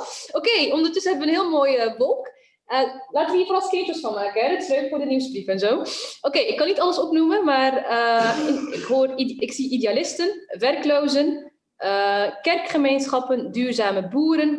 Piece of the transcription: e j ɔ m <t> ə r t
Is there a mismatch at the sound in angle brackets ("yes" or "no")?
yes